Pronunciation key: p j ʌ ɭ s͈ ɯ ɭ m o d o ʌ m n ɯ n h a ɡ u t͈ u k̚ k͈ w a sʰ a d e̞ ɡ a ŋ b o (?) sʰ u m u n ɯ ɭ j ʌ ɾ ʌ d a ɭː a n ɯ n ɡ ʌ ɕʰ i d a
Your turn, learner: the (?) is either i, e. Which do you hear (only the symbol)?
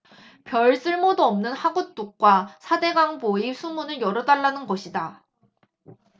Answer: i